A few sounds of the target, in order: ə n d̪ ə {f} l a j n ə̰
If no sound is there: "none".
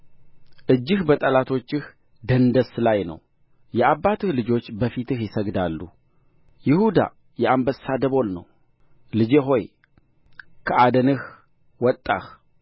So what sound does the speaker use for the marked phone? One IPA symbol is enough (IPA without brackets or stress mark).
s